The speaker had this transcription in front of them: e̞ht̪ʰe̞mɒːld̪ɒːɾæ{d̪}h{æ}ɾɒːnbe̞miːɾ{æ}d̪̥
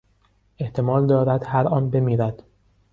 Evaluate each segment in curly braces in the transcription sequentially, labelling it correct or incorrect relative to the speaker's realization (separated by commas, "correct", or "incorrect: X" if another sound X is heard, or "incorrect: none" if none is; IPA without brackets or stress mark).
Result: correct, correct, correct